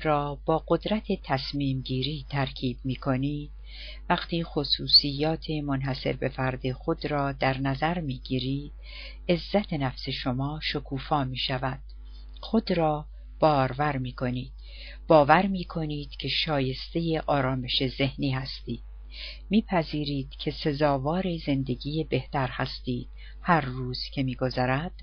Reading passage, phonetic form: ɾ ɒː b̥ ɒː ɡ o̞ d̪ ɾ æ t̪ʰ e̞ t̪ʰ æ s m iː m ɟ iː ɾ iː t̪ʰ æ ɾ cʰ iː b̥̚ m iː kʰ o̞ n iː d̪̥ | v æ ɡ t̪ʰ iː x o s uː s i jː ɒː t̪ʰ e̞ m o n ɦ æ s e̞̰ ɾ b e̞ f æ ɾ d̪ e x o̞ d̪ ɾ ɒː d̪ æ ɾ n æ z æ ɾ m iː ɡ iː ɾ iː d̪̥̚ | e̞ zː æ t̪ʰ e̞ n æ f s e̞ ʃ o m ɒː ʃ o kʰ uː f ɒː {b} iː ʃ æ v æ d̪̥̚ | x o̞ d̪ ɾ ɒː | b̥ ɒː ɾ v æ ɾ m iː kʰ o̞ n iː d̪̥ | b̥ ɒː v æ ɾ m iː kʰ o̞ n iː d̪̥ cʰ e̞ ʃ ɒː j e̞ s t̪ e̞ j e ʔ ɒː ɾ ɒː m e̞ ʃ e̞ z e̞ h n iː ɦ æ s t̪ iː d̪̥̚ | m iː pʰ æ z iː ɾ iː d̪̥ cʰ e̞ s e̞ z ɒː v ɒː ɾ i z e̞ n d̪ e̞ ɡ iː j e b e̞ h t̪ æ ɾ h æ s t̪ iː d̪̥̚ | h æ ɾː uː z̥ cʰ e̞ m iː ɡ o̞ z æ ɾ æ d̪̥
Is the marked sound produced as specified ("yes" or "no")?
no